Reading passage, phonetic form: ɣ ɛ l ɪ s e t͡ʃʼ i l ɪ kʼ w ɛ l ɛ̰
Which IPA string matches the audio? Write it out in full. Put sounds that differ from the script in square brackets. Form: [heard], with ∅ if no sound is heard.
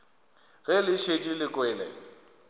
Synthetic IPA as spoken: ɣ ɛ l ɪ [ʃ] e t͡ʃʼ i l ɪ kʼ w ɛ l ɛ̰